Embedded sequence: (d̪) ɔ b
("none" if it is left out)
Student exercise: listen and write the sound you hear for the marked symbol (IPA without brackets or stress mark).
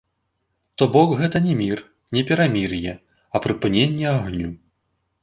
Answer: t̪